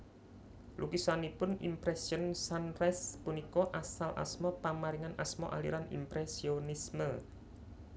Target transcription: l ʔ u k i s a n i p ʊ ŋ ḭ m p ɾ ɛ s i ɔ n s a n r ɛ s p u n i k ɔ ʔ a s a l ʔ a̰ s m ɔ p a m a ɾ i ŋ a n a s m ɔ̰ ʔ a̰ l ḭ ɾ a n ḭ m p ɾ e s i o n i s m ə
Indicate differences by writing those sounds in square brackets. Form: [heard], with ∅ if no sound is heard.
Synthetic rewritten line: l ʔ u k i s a n i p ʊ [n] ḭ m p ɾ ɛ s i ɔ n s a n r ɛ s p u n i k ɔ ʔ a s a l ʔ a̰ s m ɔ p a m a ɾ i ŋ a n a s m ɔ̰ ʔ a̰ l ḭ ɾ a n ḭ m p ɾ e s i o n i s m ə